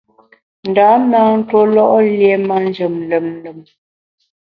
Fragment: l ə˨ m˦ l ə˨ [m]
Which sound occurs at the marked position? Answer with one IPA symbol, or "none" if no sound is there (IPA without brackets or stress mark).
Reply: m